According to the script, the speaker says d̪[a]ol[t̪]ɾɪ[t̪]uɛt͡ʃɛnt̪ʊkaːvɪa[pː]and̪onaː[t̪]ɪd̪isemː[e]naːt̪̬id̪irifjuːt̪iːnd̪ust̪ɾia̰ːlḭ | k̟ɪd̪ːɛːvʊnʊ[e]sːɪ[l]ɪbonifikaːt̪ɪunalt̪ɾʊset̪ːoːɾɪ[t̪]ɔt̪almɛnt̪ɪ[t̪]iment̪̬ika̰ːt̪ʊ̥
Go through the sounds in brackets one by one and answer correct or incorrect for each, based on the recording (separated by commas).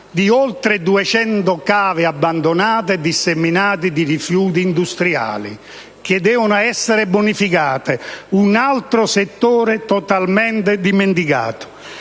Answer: incorrect, correct, incorrect, incorrect, correct, incorrect, incorrect, incorrect, correct, incorrect